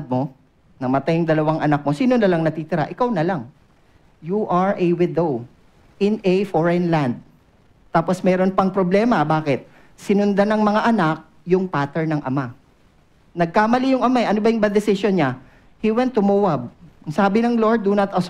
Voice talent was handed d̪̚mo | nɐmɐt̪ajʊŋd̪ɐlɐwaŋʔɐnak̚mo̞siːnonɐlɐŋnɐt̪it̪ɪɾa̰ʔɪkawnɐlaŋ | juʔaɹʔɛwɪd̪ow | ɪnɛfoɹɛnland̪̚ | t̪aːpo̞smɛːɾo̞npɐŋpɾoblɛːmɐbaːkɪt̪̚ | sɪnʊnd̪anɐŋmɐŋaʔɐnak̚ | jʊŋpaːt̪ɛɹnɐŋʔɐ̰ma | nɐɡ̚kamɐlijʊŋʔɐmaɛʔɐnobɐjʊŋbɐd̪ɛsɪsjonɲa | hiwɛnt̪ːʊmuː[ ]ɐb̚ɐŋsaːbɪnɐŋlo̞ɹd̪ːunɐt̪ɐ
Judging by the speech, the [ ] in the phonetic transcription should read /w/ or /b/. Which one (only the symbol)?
w